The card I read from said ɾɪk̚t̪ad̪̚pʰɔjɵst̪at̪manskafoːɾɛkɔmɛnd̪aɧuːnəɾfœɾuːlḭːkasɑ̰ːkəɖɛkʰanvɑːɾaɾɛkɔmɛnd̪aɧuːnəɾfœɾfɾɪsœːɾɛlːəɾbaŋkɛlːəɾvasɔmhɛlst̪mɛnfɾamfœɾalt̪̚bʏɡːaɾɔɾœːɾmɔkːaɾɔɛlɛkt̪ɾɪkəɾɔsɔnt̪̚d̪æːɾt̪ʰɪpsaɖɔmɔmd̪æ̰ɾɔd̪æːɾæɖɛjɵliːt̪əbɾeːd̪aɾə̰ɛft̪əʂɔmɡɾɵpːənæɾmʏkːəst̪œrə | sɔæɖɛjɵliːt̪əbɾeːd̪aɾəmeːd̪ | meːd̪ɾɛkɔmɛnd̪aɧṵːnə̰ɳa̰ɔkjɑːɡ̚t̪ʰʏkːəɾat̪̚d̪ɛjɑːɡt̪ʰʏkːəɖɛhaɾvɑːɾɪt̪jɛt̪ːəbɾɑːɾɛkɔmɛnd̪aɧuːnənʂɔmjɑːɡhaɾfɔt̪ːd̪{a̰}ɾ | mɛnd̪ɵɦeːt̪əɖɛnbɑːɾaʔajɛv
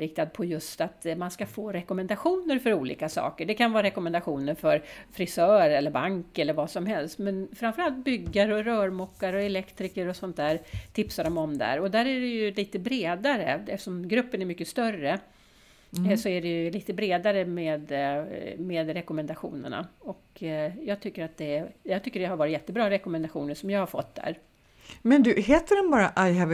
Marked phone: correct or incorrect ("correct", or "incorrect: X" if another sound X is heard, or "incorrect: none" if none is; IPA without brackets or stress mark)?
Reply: incorrect: æ̰